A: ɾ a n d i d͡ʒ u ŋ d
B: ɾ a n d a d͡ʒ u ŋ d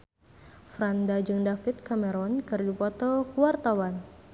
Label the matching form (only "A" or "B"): B